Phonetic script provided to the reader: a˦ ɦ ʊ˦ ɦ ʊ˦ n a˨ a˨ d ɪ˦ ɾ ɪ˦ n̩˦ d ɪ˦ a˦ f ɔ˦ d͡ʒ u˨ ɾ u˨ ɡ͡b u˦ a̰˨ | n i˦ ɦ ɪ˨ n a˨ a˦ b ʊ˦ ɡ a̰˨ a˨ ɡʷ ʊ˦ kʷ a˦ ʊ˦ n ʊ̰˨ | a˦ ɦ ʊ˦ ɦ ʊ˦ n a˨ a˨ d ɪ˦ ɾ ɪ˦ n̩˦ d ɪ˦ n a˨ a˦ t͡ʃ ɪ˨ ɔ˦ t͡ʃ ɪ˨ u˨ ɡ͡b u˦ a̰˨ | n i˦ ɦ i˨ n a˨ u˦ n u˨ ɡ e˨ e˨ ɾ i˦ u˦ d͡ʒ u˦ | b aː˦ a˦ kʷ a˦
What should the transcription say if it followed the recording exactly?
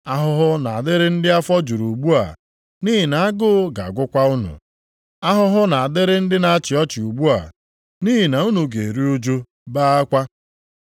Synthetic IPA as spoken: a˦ ɦ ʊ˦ ɦ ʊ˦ n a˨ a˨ d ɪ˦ ɾ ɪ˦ n̩˦ d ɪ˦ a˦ f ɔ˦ d͡ʒ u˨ ɾ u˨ ɡ͡b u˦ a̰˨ | n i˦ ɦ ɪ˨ n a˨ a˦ ɡ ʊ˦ ɡ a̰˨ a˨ ɡʷ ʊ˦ kʷ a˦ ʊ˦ n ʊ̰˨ | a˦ ɦ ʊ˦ ɦ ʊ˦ n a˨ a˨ d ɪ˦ ɾ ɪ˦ n̩˦ d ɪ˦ n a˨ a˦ t͡ʃ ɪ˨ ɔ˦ t͡ʃ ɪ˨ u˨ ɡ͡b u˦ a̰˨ | n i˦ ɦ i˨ n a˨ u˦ n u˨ ɡ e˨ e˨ ɾ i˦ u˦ d͡ʒ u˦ | b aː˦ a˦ kʷ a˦

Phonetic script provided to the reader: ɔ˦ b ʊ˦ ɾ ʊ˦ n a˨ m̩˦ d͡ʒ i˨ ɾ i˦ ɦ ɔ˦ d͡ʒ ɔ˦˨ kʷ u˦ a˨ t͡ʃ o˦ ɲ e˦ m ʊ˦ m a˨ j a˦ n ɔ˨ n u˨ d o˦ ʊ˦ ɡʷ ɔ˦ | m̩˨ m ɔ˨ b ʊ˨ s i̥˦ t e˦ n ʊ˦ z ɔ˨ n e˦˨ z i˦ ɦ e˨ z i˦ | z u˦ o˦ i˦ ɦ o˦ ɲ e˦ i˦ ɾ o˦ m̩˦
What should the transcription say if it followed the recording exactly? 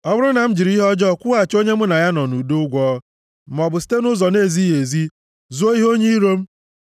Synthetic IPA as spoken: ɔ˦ b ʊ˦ ɾ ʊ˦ n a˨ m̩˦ d͡ʒ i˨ ɾ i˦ ɦ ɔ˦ d͡ʒ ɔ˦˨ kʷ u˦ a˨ t͡ʃ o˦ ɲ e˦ m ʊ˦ n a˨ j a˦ n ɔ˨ n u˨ d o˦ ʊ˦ ɡʷ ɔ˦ | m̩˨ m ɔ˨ b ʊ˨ s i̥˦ t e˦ n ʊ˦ z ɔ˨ n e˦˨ z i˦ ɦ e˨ z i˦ | z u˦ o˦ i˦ ɦ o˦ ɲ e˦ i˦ ɾ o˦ m̩˦

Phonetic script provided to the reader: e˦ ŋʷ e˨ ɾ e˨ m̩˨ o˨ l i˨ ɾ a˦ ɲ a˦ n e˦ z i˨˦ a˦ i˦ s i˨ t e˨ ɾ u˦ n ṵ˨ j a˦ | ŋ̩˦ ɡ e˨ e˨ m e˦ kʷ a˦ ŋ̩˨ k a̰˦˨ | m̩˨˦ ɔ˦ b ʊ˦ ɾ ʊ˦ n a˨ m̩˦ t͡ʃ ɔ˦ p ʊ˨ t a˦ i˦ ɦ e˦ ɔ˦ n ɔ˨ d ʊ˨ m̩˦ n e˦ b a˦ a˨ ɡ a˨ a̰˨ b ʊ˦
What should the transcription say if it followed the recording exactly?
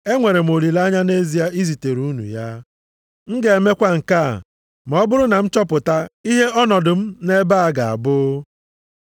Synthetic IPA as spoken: e˦ ŋʷ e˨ ɾ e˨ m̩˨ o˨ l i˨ l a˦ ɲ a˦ n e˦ z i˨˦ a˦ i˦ z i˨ t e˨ ɾ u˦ n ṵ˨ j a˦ | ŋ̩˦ ɡ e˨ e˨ m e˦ kʷ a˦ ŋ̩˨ k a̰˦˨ | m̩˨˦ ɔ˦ b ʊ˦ ɾ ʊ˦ n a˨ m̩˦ t͡ʃ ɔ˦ p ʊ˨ t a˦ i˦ ɦ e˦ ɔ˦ n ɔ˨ d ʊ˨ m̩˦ n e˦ b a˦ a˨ ɡ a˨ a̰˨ b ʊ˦

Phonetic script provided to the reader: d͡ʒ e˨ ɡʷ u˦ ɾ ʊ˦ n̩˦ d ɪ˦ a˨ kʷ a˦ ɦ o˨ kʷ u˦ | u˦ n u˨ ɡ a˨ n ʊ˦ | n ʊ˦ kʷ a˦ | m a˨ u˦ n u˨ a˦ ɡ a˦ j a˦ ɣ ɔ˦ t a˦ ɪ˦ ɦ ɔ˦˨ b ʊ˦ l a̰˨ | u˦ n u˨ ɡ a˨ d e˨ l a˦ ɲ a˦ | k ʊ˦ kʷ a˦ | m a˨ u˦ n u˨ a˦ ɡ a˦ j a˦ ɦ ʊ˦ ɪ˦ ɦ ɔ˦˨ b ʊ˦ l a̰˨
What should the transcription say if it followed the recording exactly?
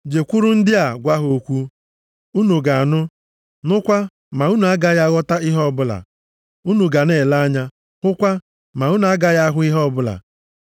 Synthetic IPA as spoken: d͡ʒ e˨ kʷ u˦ ɾ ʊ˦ n̩˦ d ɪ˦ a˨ ɡʷ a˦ ɦ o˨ kʷ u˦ | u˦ n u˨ ɡ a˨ n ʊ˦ | n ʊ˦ kʷ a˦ | m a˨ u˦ n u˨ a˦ ɡ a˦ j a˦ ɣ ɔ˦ t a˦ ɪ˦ ɦ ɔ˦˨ b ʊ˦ l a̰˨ | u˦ n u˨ ɡ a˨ n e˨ l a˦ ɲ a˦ | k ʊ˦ kʷ a˦ | m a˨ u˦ n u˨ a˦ ɡ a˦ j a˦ ɦ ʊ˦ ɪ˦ ɦ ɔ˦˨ b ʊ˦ l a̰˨

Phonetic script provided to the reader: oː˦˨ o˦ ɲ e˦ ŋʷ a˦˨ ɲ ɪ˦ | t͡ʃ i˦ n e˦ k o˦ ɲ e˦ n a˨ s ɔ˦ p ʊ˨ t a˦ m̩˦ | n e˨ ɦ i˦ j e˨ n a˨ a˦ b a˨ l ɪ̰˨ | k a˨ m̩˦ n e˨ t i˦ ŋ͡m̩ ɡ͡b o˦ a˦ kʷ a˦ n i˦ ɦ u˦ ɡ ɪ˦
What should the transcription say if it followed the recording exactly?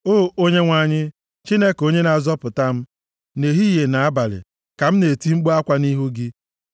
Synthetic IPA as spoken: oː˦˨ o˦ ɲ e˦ ŋʷ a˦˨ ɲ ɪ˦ | t͡ʃ i˦ n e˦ k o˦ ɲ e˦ n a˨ z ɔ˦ p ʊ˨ t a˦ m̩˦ | n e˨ ɦ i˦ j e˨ n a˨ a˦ b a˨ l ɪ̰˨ | k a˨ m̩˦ n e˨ t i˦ ŋ͡m̩ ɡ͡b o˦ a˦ kʷ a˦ n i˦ ɦ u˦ ɡ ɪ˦

